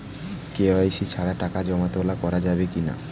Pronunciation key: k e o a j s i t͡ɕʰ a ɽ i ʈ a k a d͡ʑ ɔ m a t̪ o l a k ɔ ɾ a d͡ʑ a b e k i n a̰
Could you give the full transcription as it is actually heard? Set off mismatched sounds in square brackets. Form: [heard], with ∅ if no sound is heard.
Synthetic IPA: k e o a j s i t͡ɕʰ a ɽ [a] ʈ a k a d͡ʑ ɔ m a t̪ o l a k ɔ ɾ a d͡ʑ a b e k i n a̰